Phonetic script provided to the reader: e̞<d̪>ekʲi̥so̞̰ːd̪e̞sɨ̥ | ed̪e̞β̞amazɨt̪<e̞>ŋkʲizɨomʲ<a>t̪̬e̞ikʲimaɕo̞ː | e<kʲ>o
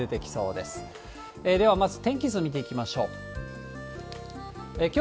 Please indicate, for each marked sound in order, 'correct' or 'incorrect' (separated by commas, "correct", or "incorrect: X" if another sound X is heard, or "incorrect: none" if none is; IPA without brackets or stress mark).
incorrect: t̪, incorrect: ẽ̞, incorrect: i, correct